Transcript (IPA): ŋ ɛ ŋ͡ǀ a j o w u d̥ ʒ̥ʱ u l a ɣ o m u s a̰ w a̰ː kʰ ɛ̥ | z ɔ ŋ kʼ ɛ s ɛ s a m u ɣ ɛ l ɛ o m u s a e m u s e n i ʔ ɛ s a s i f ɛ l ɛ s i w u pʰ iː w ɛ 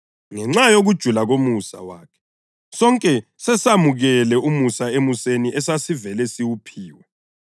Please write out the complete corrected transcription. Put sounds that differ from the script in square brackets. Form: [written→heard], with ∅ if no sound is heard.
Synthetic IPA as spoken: ŋ ɛ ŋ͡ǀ a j o [w→ɣ] u d̥ ʒ̥ʱ u l a ɣ o m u s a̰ w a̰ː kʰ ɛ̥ | [z→s] ɔ ŋ kʼ ɛ s ɛ s a m u ɣ ɛ l ɛ [o→u] m u s a e m u s e n i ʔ ɛ s a s i [f→v] ɛ l ɛ s i w u pʰ iː w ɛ